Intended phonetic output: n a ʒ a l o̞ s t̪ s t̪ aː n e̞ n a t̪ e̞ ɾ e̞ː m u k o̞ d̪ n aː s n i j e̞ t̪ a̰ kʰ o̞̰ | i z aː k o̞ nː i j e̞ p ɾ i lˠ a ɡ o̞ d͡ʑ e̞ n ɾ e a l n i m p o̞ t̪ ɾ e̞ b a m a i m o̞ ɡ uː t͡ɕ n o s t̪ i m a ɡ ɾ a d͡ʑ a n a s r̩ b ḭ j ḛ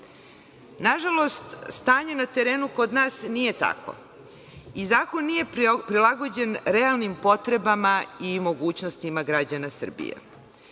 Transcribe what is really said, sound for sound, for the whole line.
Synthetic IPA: n a ʒ a l o̞ s t̪ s t̪ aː ɲ e̞ n a t̪ e̞ ɾ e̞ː n u k o̞ d̪ n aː s n i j e̞ t̪ a̰ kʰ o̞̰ | i z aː k o̞ nː i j e̞ p ɾ i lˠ a ɡ o̞ d͡ʑ e̞ n ɾ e a l n i m p o̞ t̪ ɾ e̞ b a m a i m o̞ ɡ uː t͡ɕ n o s t̪ i m a ɡ ɾ a d͡ʑ a n a s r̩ b ḭ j ḛ